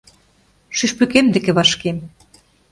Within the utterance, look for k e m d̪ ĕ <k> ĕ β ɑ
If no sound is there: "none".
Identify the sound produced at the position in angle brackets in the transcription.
k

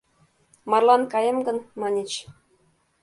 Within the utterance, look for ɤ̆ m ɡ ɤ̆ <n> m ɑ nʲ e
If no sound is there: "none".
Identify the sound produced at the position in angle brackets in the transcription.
n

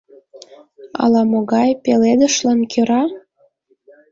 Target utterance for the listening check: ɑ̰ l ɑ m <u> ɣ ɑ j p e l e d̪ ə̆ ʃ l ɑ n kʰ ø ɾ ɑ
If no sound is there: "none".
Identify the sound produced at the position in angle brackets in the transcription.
o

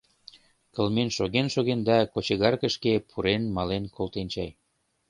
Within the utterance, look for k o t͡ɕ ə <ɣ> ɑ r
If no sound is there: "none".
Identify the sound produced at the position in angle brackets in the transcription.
ɣ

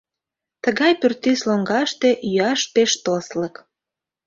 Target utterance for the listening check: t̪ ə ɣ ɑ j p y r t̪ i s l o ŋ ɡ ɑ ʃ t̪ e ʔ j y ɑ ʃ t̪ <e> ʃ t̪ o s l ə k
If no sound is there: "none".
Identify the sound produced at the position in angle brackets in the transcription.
e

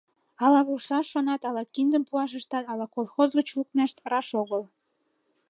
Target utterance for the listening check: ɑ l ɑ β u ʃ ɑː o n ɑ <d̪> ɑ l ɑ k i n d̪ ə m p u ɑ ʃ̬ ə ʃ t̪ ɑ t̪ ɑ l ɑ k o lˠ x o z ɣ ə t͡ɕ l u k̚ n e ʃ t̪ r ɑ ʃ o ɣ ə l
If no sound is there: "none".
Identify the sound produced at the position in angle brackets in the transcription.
t̪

